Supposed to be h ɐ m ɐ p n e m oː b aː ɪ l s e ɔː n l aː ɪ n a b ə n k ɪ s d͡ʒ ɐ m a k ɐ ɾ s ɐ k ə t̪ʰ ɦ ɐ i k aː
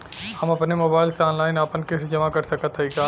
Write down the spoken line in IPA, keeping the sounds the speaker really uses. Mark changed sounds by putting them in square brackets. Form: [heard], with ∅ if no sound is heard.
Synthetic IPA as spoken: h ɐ m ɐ p n e m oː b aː ɪ l s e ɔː n l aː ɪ n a [p] ə n k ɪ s d͡ʒ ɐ m a k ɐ ɾ s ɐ k ə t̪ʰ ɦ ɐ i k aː